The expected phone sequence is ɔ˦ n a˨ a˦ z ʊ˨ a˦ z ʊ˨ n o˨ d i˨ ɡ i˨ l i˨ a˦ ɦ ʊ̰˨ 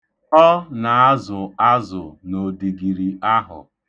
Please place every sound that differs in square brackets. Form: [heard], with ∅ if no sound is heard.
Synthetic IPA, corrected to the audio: ɔ˦ n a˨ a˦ z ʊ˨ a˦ z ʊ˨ n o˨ d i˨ ɡ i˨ [ɾ] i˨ a˦ ɦ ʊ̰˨